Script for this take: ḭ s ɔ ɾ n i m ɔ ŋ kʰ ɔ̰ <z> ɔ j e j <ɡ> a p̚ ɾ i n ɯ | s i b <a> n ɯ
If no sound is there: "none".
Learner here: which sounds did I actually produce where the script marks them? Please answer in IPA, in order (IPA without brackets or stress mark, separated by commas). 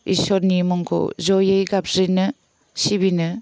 z, ɡ, i